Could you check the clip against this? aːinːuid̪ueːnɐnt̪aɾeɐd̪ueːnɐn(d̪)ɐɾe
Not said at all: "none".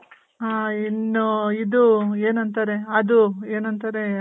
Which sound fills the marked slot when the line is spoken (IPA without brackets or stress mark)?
t̪